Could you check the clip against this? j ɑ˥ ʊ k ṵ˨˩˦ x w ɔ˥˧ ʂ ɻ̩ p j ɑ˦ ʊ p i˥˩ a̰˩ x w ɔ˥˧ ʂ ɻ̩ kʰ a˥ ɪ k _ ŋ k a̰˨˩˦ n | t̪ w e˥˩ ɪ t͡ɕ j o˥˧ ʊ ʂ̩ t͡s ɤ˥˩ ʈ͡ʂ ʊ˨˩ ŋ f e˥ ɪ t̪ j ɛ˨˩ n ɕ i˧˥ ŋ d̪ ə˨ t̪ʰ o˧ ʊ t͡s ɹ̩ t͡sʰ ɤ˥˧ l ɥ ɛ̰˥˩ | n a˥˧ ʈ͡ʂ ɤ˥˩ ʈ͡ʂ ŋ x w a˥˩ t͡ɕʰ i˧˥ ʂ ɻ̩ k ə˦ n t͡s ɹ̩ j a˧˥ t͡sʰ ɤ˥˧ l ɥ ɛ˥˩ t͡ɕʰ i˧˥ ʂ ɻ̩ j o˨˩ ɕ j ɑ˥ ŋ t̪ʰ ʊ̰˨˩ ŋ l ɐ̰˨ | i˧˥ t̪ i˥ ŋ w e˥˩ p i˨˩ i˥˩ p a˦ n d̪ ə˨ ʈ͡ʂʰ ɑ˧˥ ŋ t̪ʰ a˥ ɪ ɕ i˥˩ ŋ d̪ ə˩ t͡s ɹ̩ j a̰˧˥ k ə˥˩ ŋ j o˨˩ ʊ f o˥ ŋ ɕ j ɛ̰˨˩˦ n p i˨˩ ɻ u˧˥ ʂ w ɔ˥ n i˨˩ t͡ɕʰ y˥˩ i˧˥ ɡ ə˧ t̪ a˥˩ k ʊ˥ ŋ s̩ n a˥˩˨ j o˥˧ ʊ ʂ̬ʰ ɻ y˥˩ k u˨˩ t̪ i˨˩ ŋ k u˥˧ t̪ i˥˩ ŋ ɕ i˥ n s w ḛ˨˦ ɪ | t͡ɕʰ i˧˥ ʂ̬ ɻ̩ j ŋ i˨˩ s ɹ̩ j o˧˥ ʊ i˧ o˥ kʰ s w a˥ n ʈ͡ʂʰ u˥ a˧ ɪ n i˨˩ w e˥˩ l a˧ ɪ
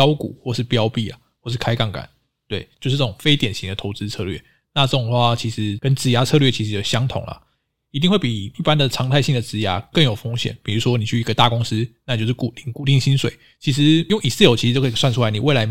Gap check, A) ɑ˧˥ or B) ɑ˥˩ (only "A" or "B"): B